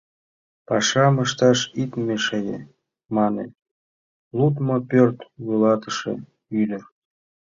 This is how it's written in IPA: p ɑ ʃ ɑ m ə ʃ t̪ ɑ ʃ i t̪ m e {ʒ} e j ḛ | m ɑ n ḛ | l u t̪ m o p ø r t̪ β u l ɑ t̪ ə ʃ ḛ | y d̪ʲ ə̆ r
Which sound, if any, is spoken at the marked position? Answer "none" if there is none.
ʃ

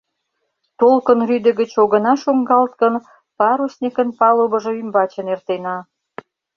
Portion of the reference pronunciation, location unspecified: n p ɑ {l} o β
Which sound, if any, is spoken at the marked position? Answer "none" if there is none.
l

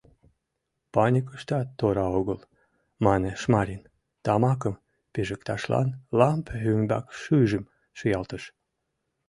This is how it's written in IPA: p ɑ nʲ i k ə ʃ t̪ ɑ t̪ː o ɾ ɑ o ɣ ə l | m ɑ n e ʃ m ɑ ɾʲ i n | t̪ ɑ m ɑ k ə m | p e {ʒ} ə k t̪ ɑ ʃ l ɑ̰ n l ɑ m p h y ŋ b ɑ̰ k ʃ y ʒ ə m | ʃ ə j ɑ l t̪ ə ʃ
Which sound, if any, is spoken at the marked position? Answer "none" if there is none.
ʒ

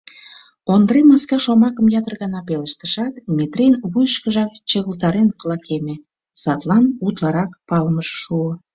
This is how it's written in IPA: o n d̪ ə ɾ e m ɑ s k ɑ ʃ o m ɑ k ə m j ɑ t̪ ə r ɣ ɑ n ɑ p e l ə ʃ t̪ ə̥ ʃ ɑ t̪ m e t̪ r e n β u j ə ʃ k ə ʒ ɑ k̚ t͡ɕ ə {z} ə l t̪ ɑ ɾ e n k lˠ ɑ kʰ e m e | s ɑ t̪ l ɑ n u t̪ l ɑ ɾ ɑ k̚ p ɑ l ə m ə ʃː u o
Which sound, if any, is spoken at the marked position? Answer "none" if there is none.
ɣ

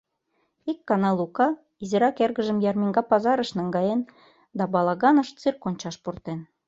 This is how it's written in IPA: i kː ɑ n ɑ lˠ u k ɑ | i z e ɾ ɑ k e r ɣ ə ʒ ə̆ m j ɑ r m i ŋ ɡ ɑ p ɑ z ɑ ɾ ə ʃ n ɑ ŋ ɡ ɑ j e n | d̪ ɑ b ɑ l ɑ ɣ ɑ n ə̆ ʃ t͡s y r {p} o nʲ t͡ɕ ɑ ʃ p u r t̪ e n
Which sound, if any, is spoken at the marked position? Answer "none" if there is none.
k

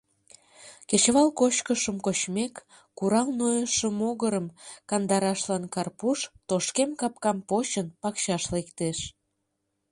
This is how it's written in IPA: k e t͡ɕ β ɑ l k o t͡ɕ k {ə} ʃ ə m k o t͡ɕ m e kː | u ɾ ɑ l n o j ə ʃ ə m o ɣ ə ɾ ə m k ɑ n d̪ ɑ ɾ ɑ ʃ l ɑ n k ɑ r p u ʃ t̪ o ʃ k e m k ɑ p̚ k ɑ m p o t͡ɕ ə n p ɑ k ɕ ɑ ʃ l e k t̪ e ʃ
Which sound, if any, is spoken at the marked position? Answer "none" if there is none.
ə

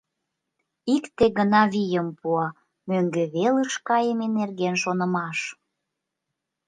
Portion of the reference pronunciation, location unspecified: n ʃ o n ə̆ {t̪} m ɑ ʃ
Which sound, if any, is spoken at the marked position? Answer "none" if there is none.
none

